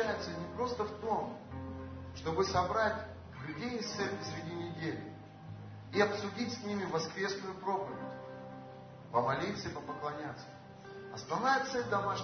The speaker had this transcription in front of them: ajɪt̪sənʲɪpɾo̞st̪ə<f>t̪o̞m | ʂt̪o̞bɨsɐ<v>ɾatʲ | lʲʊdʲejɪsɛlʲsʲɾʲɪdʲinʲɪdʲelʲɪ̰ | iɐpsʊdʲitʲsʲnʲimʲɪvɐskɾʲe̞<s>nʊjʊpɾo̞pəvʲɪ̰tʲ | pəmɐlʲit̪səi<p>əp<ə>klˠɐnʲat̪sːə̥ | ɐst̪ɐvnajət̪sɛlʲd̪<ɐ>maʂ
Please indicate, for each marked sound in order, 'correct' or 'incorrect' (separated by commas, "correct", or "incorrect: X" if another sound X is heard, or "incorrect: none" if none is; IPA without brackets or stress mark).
correct, incorrect: b, correct, correct, correct, correct